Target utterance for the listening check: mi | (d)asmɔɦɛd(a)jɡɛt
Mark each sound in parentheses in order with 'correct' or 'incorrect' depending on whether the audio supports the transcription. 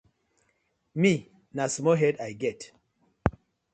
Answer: incorrect: n, correct

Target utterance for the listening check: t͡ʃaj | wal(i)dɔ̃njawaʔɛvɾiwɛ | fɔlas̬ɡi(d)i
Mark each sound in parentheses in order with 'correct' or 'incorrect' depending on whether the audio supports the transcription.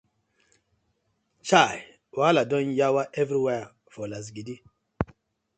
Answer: incorrect: a, correct

